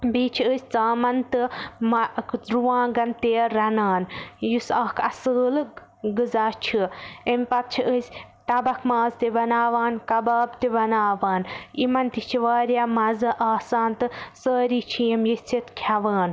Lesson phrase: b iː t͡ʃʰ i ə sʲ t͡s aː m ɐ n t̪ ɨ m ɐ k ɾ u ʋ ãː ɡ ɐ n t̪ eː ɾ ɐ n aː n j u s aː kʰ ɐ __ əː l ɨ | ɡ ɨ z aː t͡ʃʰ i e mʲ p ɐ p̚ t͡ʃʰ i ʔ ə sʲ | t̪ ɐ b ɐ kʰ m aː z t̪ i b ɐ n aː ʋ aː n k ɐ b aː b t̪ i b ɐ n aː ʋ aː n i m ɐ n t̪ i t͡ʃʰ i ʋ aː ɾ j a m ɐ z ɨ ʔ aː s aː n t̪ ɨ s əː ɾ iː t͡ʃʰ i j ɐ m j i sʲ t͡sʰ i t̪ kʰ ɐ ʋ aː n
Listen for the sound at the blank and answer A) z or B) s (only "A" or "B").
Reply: B